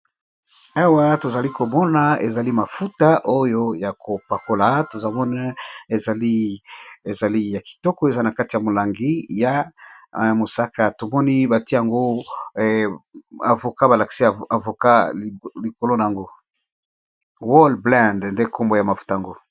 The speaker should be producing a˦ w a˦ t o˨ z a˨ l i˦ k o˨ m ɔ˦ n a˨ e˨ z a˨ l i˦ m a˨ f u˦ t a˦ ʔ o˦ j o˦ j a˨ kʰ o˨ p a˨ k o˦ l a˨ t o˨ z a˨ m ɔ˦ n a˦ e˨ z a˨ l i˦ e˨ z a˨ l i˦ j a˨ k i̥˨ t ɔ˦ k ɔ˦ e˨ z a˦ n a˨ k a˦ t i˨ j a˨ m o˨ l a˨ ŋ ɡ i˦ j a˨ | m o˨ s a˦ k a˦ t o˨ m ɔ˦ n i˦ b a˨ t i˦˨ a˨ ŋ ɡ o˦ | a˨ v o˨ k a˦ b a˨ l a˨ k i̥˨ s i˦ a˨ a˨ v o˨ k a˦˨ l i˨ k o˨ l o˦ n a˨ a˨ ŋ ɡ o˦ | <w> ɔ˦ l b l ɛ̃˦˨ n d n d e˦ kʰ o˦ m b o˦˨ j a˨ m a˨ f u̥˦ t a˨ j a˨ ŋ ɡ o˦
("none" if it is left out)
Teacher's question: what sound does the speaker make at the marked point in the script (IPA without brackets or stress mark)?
w